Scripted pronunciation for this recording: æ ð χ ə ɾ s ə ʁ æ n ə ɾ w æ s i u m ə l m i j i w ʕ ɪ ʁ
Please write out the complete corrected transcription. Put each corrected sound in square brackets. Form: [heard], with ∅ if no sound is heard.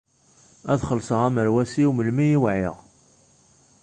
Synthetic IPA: æ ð χ ə [l] s ə ʁ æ [m] ə ɾ w æ s i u m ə l m i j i w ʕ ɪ ʁ

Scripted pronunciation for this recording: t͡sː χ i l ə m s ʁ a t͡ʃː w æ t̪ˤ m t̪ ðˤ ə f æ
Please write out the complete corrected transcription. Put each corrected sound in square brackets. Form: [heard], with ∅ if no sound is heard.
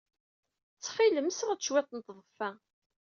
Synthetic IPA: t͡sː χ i l ə m s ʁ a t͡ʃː w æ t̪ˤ [n] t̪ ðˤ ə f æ

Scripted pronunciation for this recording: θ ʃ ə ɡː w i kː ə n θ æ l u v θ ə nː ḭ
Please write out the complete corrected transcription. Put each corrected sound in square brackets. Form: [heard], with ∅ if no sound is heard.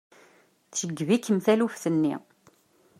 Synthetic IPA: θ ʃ ə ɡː [v] i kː ə [m] θ æ l u [f] θ ə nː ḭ

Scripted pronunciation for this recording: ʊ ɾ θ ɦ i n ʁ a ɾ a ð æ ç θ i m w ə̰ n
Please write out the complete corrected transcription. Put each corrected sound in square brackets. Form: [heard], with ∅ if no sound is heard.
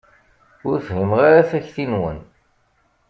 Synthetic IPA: ʊ ɾ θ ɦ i [m] ʁ a ɾ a [θ] æ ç θ i [n] w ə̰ n

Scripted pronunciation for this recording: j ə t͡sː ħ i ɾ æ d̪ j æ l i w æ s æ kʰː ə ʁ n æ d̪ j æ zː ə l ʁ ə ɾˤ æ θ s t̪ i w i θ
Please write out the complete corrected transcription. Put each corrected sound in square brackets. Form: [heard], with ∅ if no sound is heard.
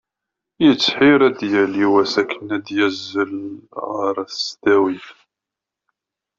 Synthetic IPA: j ə t͡sː ħ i ɾ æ d̪ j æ l i w æ s æ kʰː ə [∅] n æ d̪ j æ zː ə l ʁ ə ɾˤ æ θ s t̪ [æ] w i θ

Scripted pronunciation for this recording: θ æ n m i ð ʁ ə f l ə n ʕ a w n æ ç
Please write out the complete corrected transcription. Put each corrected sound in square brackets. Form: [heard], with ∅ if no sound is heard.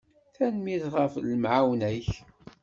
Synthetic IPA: θ æ n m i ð ʁ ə f l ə [m] ʕ a w n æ ç

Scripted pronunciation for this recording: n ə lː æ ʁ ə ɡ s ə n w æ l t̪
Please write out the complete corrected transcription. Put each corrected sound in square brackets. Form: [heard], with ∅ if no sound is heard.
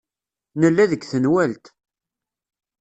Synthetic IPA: n ə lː æ [ð] ə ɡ [θ] ə n w æ l t̪

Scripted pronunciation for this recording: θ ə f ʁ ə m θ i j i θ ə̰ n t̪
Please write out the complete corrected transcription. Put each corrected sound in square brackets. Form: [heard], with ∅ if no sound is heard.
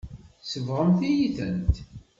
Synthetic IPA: [s] ə [v] ʁ ə m θ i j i θ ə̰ n t̪

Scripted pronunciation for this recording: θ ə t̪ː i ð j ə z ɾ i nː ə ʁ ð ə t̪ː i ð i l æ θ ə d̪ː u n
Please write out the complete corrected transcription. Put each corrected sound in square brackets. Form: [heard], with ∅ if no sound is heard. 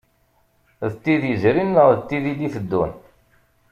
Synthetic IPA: [ð] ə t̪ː i ð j ə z ɾ i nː ə ʁ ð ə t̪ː i ð i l [i] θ ə d̪ː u n

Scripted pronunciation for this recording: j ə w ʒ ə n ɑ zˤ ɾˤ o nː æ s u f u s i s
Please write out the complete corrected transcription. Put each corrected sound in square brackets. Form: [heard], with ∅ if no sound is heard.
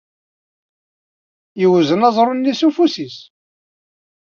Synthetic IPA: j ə w [z] ə n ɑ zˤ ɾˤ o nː [i] s u f u s i s

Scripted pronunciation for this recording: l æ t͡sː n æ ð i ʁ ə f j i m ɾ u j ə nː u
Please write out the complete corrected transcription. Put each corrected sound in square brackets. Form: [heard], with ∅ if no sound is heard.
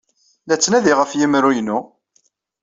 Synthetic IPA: l æ t͡sː n æ ð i ʁ ə f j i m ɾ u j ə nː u

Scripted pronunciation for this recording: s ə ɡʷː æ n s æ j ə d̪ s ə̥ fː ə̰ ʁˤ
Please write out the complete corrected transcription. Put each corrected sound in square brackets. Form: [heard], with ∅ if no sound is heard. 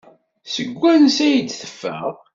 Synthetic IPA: s ə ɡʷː æ n s æ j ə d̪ [θ] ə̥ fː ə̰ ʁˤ

